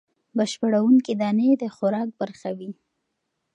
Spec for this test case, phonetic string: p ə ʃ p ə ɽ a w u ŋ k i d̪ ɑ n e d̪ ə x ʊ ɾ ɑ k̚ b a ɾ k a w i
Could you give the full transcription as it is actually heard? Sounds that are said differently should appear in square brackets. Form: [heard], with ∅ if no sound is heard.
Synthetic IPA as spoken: [b] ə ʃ p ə ɽ a w u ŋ k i d̪ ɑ n e d̪ ə x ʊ ɾ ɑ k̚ b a ɾ [x] a w i

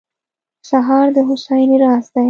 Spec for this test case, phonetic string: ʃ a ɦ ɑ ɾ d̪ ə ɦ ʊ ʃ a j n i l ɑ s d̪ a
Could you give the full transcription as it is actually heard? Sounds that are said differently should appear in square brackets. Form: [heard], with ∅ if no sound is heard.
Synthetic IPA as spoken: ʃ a ɦ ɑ ɾ d̪ ə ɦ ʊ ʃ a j n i [ɾ] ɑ s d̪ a

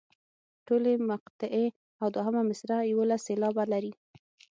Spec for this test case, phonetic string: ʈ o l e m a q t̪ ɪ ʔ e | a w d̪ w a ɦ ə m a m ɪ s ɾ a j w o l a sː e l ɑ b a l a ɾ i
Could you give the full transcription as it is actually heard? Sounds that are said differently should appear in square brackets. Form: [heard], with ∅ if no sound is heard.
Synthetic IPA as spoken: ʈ o l e m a q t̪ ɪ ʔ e | a w d̪ w a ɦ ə m a m ɪ s ɾ a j w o l a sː e l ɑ b a l a ɾ i

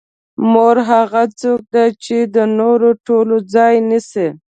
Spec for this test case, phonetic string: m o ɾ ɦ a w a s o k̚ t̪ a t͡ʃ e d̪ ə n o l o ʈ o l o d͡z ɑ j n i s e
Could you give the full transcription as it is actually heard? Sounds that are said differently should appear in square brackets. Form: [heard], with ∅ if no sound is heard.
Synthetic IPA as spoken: m o ɾ ɦ a [ɣ] a [t͡s] o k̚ [d̪] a t͡ʃ e d̪ ə n o [ɾ] o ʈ o l o d͡z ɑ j n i s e

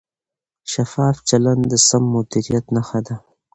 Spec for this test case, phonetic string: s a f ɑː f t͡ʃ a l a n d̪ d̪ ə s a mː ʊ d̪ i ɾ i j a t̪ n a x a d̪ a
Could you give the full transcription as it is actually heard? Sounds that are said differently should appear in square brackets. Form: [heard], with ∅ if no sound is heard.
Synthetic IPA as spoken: [ʃ] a f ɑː f t͡ʃ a l a n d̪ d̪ ə s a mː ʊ d̪ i ɾ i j a t̪ n a x a d̪ a

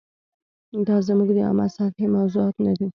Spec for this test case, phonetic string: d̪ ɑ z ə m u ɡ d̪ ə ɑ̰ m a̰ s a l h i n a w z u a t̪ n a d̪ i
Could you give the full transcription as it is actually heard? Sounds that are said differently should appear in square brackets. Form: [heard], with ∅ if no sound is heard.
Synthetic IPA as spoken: d̪ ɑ z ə m u ɡ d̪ ə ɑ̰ m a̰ s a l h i [m] a w z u [ɑ] t̪ n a d̪ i

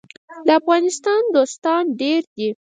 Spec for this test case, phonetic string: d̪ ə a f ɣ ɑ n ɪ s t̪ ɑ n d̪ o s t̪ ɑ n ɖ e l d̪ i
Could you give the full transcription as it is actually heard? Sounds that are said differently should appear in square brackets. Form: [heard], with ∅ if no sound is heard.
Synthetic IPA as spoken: d̪ ə a f ɣ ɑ n ɪ s t̪ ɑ n d̪ o s t̪ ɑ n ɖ e [ɾ] d̪ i

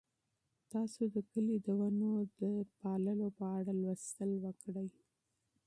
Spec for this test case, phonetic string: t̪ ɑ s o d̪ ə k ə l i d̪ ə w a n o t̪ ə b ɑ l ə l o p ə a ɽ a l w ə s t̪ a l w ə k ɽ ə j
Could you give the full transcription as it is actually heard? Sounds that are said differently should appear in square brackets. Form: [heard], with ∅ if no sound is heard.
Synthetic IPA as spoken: t̪ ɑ s o d̪ ə k ə l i d̪ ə w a n o [d̪] ə [p] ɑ l ə l o p ə a ɽ a l w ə s t̪ [ə] l w ə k ɽ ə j

